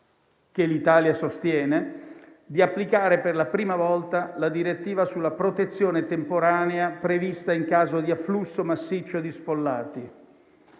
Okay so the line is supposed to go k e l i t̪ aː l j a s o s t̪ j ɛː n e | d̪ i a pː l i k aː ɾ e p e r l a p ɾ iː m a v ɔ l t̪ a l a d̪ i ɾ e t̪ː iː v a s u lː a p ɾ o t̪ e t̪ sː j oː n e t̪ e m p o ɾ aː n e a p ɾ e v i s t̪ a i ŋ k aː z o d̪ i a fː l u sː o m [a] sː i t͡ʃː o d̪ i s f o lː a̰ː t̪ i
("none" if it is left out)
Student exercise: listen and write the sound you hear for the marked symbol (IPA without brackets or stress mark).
a